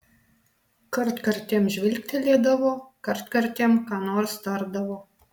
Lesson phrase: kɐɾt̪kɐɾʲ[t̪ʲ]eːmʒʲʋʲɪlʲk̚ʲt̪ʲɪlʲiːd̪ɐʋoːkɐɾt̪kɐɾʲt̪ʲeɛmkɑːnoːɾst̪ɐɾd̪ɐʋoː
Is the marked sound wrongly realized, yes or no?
no